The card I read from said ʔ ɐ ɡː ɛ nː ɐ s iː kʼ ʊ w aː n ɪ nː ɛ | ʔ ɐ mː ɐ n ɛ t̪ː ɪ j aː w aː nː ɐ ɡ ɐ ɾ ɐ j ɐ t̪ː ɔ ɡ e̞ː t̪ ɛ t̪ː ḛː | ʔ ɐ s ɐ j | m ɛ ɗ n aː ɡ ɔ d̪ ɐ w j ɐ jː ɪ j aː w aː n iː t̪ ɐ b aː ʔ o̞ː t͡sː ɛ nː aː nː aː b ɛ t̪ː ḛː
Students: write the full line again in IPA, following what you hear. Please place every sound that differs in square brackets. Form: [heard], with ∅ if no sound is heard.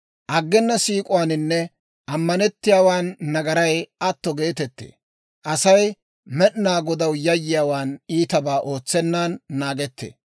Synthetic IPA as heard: ʔ ɐ ɡː ɛ nː ɐ s iː kʼ ʊ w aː n ɪ nː ɛ | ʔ ɐ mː ɐ n ɛ t̪ː ɪ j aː w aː nː ɐ ɡ ɐ ɾ ɐ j ɐ t̪ː ɔ ɡ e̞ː t̪ ɛ t̪ː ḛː | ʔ ɐ s ɐ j | m ɛ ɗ n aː ɡ ɔ d̪ ɐ w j ɐ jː ɪ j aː w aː n iː t̪ ɐ b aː ʔ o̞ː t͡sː ɛ nː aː nː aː [ɡ] ɛ t̪ː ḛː

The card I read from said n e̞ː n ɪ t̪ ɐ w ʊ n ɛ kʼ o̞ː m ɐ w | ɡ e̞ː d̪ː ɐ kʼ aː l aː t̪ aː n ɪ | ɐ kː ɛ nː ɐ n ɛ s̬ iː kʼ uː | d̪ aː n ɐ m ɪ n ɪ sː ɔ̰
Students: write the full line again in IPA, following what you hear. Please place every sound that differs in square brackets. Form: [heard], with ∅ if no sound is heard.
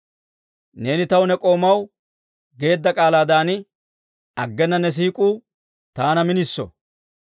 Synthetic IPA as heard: n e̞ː n ɪ t̪ ɐ w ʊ n ɛ kʼ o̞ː m ɐ w | ɡ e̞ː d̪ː ɐ kʼ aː l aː [d̪] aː n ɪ | ɐ [ɡː] ɛ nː ɐ n ɛ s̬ iː kʼ uː | [t̪] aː n ɐ m ɪ n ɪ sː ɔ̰

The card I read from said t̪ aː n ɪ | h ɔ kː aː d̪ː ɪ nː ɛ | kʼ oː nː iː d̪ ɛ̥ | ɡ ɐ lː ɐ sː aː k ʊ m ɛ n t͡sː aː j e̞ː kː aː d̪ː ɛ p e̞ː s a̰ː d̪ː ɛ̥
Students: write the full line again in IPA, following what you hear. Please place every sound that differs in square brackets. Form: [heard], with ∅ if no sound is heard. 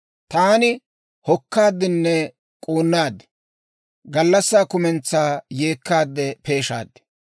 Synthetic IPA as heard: t̪ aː n ɪ | h ɔ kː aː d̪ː ɪ nː ɛ | kʼ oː nː [aː] d̪ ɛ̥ | ɡ ɐ lː ɐ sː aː k ʊ m ɛ n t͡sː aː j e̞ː kː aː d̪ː ɛ p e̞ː [ʃ] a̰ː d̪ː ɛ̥

